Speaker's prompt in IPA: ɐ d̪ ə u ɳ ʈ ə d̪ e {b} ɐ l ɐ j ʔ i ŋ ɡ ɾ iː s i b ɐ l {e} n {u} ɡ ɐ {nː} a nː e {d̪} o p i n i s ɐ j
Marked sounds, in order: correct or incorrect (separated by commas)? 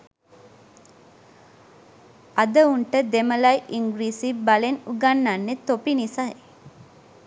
incorrect, correct, correct, correct, incorrect